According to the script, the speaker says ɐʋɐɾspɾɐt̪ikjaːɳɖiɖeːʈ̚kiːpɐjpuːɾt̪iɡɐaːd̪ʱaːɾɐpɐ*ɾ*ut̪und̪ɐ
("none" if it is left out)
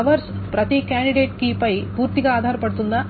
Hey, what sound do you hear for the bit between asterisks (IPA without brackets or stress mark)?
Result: ɽ